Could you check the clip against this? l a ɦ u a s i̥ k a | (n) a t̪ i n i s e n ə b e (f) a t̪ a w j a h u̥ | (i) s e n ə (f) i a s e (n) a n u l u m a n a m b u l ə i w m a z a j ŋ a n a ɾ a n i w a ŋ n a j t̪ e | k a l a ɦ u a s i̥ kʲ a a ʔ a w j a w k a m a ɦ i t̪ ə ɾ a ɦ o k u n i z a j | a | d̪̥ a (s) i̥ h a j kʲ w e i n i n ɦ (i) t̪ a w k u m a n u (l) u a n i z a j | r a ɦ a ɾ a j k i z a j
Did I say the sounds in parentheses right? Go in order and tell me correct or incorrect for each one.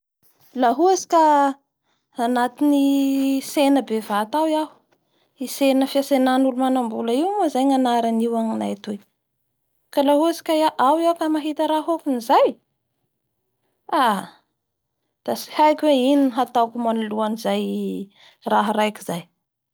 correct, incorrect: v, correct, correct, correct, correct, incorrect: a, correct

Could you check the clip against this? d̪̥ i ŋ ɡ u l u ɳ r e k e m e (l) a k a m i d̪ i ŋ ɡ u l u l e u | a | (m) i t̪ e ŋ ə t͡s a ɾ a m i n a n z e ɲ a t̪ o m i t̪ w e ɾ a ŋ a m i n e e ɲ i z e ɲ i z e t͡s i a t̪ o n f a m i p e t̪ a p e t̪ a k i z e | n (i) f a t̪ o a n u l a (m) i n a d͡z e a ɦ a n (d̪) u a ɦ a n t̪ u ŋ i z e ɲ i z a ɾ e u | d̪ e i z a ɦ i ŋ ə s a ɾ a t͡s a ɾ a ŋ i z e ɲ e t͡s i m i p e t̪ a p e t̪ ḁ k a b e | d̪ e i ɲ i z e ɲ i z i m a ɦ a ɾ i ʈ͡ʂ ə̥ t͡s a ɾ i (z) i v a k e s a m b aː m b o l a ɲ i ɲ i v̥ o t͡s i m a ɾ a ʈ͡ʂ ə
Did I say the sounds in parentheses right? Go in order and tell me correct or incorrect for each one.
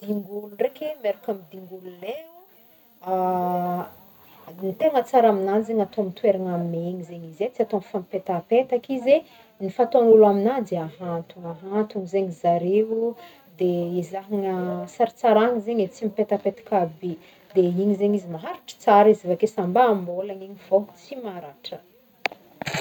incorrect: ɾ, incorrect: n, correct, correct, incorrect: t̪, correct

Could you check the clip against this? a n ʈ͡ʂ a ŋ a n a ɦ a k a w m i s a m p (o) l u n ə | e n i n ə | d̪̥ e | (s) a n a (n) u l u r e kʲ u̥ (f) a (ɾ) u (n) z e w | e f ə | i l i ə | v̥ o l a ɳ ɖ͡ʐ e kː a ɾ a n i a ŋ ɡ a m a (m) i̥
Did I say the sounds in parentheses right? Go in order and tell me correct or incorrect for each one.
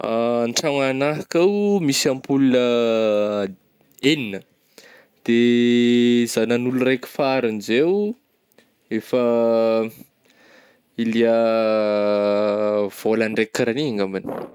incorrect: u, incorrect: z, correct, correct, correct, correct, incorrect: n

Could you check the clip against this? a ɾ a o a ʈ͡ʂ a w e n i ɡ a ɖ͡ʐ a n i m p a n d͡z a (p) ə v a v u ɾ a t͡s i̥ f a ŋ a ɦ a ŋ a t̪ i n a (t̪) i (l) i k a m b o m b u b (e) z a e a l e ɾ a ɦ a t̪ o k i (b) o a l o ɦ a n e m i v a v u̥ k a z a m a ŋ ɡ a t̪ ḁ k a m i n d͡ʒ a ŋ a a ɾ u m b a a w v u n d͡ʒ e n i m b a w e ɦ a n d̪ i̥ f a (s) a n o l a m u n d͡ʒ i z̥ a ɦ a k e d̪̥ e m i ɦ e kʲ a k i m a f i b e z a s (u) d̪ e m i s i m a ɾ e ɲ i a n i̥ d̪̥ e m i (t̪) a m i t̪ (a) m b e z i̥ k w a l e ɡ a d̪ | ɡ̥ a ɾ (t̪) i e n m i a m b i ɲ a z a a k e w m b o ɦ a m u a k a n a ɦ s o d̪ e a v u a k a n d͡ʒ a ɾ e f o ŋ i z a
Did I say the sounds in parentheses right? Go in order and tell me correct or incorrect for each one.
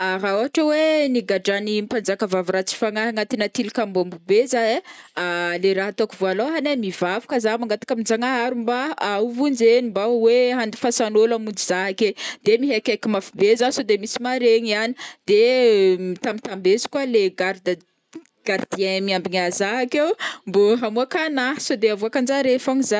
incorrect: k, correct, correct, correct, incorrect: v, correct, incorrect: o, correct, correct, incorrect: d̪

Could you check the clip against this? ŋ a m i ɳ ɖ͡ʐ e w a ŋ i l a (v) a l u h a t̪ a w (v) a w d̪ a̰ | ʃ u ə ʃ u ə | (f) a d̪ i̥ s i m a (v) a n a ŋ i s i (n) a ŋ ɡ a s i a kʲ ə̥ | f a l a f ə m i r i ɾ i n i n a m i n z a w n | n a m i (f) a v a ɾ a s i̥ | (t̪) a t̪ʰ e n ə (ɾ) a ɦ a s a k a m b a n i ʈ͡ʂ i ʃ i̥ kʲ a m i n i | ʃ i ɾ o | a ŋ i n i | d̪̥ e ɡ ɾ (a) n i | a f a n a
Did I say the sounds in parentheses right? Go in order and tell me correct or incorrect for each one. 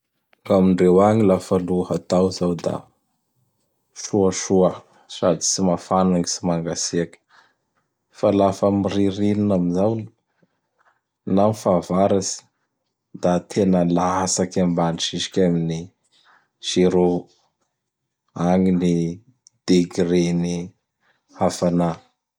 incorrect: f, incorrect: z, incorrect: s, incorrect: f, incorrect: m, correct, incorrect: d̪, incorrect: l, incorrect: e

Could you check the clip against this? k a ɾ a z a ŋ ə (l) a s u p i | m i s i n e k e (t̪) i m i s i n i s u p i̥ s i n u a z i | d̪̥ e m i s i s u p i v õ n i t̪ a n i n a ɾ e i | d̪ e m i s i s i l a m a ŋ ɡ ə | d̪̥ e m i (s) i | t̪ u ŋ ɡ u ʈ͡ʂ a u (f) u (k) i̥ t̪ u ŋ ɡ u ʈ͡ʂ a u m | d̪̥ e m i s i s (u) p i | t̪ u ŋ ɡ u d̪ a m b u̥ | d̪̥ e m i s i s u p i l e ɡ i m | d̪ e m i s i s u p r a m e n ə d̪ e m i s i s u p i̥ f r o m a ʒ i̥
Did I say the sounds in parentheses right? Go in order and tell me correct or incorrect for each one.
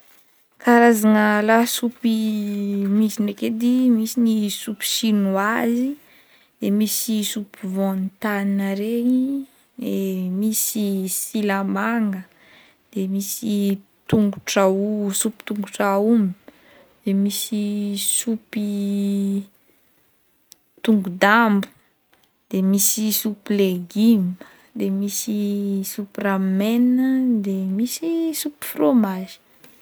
correct, incorrect: d̪, correct, incorrect: s, incorrect: p, correct

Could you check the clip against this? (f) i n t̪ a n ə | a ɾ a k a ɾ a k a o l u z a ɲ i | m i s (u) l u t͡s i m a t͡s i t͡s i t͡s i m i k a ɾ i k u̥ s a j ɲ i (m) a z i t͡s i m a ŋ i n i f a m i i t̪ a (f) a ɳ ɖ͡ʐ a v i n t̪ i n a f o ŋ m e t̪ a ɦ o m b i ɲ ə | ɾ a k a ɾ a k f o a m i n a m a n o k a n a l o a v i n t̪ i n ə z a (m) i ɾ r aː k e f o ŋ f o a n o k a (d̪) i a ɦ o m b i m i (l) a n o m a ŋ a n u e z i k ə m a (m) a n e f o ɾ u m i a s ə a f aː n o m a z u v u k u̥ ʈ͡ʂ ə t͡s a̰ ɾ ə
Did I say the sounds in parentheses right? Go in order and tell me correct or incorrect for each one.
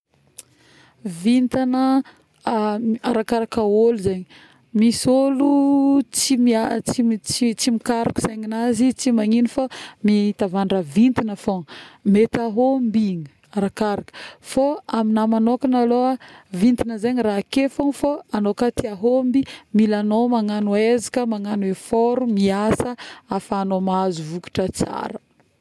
incorrect: v, incorrect: o, incorrect: n, incorrect: v, incorrect: ɲ, incorrect: t̪, correct, incorrect: ŋ

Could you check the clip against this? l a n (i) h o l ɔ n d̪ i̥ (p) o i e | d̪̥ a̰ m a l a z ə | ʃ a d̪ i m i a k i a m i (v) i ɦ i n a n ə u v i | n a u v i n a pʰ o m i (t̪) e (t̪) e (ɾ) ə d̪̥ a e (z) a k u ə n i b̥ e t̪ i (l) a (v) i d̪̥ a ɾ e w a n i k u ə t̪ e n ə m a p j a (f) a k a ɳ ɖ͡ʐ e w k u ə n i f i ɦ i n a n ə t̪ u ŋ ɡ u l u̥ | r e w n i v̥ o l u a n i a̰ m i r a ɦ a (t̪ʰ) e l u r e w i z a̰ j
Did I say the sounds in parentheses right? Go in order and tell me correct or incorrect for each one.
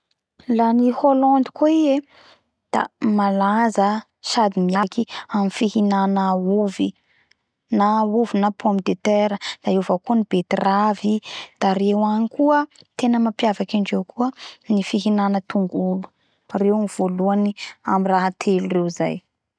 correct, incorrect: k, incorrect: f, incorrect: d̪, correct, correct, incorrect: v, incorrect: r, correct, incorrect: v, correct

